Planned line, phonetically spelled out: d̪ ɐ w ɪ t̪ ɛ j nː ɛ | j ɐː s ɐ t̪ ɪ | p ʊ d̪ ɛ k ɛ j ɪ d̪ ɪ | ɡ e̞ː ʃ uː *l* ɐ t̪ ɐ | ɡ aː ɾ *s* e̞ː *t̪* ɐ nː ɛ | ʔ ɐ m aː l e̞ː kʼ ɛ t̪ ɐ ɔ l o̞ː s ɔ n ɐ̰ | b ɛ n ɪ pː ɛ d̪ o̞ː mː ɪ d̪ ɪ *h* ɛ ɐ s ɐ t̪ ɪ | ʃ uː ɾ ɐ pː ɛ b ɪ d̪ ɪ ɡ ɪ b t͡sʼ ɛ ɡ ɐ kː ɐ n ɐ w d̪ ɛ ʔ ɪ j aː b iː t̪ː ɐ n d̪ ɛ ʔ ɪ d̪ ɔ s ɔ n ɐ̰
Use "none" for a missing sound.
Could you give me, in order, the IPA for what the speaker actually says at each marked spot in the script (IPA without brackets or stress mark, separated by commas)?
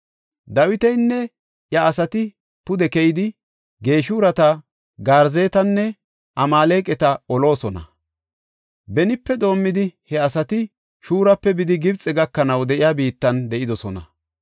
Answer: ɾ, z, t̪, h